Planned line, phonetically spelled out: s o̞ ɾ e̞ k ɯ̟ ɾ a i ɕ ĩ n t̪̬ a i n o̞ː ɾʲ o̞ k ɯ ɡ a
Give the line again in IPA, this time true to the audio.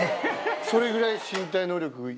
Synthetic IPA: s o̞ ɾ e̞ ɡ ɯ̟ ɾ a i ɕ ĩ n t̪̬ a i n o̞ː ɾʲ o̞ k ɯ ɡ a